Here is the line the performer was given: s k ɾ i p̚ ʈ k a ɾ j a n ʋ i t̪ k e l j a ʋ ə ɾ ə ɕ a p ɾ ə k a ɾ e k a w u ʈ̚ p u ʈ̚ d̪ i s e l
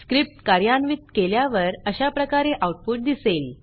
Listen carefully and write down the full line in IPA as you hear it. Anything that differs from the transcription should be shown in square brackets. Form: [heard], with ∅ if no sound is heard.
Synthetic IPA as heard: s k ɾ i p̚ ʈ k a ɾ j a n ʋ i t̪ k e l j a ʋ ə ɾ ə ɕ a p ɾ ə k a ɾ e [ʔ] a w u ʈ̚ p u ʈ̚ d̪ i s e l